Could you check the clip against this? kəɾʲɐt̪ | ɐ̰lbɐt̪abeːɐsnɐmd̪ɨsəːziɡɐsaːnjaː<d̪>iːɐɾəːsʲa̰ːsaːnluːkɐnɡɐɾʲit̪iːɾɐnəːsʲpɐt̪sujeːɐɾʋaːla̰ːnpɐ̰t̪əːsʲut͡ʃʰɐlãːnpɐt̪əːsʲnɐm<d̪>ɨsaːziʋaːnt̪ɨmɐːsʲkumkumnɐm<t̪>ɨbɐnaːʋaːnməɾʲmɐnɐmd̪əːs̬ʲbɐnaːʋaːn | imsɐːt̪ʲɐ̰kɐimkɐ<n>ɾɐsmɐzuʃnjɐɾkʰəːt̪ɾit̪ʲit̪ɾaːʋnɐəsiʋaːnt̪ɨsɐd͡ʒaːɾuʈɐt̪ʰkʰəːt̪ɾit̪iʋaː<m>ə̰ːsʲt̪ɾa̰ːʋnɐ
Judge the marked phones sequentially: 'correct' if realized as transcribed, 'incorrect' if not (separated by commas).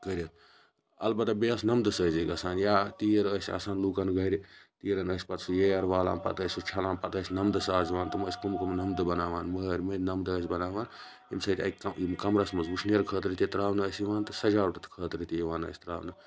incorrect, correct, incorrect, incorrect, incorrect